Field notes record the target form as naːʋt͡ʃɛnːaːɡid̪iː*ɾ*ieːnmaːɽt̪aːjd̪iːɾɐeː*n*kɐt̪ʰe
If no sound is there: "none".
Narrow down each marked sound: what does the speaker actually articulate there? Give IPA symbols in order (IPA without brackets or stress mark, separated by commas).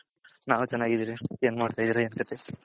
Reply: ɾ, n